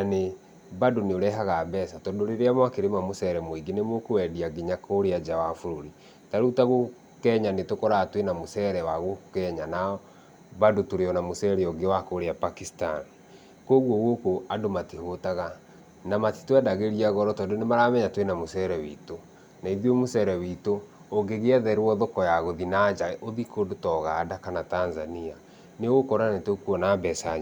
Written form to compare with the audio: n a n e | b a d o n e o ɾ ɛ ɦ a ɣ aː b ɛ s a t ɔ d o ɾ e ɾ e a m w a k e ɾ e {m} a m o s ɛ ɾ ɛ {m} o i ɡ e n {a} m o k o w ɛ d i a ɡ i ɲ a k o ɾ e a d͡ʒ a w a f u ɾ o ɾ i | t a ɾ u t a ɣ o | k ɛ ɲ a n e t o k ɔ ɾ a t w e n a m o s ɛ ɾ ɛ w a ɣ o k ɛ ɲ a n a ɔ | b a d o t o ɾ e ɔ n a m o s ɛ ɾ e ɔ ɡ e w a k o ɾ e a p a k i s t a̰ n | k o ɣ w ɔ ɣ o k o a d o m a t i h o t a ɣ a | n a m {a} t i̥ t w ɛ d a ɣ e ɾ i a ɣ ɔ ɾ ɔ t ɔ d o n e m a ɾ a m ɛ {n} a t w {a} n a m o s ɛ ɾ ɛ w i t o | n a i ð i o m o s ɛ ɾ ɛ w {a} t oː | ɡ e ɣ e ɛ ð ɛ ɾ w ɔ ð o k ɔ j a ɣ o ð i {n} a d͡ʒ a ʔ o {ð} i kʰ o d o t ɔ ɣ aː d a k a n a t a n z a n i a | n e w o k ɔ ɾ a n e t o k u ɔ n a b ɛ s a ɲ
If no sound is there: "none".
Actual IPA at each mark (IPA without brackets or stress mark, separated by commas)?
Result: m, m, e, a, ɲ, e, i, n, ð